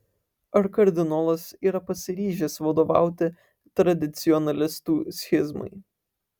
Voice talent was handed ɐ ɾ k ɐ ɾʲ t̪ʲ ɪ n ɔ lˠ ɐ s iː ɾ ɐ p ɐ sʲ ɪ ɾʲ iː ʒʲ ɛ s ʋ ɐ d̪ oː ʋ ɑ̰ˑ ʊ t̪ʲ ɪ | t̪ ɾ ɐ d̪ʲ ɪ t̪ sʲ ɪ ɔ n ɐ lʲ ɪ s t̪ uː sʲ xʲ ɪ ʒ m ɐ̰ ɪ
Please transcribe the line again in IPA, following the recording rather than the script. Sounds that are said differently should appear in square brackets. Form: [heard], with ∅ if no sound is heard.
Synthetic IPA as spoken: ɐ ɾ k ɐ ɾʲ [d̪ʲ] ɪ n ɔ lˠ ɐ s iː ɾ ɐ p ɐ sʲ ɪ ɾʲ iː ʒʲ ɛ s ʋ ɐ d̪ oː ʋ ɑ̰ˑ ʊ t̪ʲ ɪ | t̪ ɾ ɐ d̪ʲ ɪ t̪ sʲ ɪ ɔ n ɐ lʲ ɪ s t̪ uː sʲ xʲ ɪ [z] m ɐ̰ ɪ